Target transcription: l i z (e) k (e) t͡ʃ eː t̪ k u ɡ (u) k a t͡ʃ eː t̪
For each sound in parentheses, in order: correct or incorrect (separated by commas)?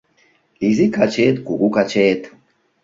incorrect, incorrect, correct